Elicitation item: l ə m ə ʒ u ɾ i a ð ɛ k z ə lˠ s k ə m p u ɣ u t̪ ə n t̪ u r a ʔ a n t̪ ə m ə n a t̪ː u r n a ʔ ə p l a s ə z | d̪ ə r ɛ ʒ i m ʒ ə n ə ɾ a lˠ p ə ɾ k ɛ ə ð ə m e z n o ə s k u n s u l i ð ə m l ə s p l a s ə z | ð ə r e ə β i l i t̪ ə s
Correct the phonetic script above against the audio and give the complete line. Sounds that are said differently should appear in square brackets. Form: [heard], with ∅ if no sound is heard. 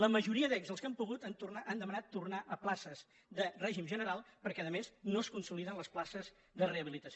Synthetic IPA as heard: l ə m ə ʒ u ɾ i [ə] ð ɛ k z ə lˠ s k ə m p u ɣ u t̪ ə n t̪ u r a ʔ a n [d̪] ə m ə n a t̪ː u r n a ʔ ə p l a s ə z | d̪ ə r ɛ ʒ i m ʒ ə n ə ɾ a lˠ p ə ɾ k ɛ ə ð ə m e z n o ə s k u n s u l i ð ə [n] l ə s p l a s ə z | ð ə r e ə β i l i t̪ ə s